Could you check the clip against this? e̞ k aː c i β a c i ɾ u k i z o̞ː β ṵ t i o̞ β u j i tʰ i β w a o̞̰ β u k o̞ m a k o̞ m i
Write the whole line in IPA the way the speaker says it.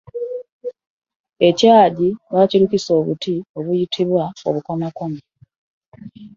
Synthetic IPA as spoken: e̞ c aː ɟ i β a c i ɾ u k i s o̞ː β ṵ t i o̞ β u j i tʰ i β w a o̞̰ β u k o̞ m a k o̞ m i